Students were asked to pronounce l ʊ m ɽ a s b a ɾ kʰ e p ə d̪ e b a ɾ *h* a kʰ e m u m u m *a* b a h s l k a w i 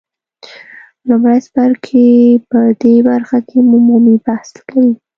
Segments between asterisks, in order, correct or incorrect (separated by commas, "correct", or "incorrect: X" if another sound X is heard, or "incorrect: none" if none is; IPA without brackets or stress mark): incorrect: x, incorrect: i